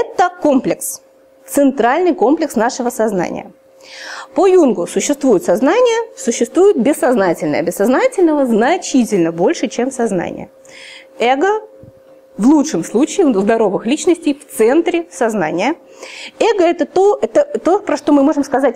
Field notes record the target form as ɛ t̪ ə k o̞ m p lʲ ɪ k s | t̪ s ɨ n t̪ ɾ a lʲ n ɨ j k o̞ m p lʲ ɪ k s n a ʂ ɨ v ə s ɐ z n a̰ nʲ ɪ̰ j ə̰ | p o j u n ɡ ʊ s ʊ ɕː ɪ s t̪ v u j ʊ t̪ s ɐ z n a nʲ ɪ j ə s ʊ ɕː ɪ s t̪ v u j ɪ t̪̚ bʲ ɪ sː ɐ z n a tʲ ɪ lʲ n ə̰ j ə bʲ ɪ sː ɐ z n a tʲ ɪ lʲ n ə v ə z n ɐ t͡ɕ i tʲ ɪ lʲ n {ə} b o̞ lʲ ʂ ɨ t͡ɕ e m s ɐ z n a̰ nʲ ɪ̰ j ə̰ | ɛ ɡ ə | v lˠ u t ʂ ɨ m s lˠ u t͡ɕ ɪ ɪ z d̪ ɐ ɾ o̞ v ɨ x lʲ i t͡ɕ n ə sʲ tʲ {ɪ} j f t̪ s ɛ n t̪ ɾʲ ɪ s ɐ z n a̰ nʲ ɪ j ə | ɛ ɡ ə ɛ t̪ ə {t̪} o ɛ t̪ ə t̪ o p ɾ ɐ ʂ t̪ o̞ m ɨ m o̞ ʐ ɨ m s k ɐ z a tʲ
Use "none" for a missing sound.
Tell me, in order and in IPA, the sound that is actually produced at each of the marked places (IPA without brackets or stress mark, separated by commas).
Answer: ə, ɪ, t̪